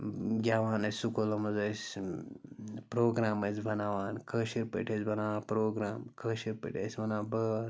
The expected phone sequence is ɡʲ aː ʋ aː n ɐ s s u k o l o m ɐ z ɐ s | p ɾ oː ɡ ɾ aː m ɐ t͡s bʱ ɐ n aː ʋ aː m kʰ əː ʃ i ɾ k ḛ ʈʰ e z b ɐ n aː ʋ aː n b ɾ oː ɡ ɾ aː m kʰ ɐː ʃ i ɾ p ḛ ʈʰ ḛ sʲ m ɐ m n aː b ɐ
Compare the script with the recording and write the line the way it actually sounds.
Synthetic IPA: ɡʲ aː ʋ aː n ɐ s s u k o l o m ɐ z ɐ s | p ɾ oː ɡ ɾ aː m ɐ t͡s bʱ ɐ n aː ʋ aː n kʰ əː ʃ i ɾ p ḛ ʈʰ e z b ɐ n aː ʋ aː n p ɾ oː ɡ ɾ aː m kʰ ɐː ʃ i ɾ p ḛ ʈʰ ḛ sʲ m ɐ n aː b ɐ